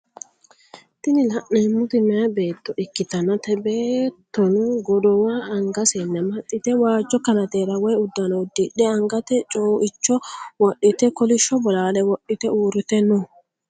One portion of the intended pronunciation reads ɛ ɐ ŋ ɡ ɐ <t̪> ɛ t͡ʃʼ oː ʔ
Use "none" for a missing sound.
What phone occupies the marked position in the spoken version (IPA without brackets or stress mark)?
t̪